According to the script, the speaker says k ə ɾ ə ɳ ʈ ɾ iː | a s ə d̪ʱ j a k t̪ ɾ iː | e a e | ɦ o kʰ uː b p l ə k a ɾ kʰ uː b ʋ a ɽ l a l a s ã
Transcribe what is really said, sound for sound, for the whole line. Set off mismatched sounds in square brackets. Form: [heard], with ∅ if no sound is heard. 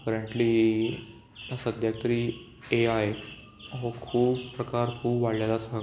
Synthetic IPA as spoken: k ə ɾ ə ɳ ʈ [l] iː | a s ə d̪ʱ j a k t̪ ɾ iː | e a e | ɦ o kʰ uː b p [ɾ] ə k a ɾ kʰ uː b ʋ a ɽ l a l a s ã